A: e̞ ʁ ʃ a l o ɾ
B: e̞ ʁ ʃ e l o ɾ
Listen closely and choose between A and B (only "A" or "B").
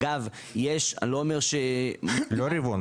B